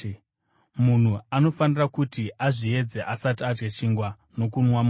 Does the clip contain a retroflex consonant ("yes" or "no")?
yes